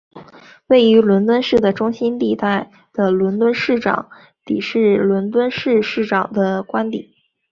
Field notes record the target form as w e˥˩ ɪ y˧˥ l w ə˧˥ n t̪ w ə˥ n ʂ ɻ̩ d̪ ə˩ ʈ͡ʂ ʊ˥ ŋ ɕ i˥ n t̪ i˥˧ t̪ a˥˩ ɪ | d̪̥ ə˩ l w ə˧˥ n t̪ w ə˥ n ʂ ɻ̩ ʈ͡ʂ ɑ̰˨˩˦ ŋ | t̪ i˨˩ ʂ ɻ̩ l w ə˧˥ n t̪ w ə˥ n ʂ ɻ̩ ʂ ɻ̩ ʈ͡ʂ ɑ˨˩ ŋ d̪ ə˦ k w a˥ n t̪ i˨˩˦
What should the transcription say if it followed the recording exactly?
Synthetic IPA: w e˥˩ ɪ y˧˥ l w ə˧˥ n t̪ w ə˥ n ʂ ɻ̩ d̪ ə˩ ʈ͡ʂ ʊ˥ ŋ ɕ i˥ n t̪ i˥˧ t̪ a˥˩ ɪ | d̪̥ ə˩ l w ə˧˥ n t̪ w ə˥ n ʂ ɻ̩ ʈ͡ʂ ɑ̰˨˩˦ ŋ | t̪ i˨˩ ʂ ɻ̩ l w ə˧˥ n t̪ w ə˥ n ʂ ɻ̩ ʂ ɻ̩ ʈ͡ʂ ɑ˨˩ ŋ d̪ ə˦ k w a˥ n t̪ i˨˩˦